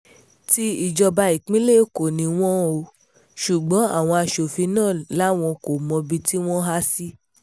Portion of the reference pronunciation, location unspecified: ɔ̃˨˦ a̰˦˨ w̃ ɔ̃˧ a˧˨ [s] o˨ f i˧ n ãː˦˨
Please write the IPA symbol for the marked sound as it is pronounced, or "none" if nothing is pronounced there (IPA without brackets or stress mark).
ʃ